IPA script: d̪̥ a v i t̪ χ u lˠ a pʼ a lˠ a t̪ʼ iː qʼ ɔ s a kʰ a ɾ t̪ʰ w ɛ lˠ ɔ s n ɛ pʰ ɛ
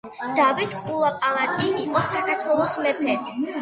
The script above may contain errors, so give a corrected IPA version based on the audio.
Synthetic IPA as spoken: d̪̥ a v i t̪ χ u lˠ a pʼ a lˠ a t̪ʼ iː qʼ ɔ s a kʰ a ɾ t̪ʰ w ɛ lˠ ɔ s m ɛ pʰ ɛ